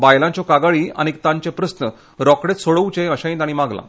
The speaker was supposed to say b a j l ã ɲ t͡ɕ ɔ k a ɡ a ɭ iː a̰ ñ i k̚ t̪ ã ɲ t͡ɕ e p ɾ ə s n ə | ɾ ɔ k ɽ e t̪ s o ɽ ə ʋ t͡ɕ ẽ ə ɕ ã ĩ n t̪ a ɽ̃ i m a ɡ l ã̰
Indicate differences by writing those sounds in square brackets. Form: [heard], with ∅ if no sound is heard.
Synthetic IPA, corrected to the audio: b a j l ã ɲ t͡ɕ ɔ k a ɡ a ɭ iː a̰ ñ i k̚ t̪ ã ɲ t͡ɕ e p ɾ ə s n ə | ɾ ɔ k ɽ e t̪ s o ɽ ə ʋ t͡ɕ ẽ ə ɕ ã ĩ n t̪ a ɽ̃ i m a ɡ l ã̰